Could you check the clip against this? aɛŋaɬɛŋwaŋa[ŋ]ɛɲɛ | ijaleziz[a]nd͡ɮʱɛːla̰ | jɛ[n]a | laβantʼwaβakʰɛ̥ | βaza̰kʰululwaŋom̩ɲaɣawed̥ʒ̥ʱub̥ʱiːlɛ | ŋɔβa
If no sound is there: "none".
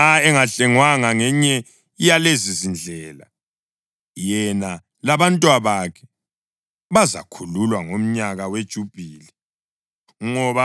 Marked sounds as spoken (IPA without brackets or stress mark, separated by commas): ŋ, i, n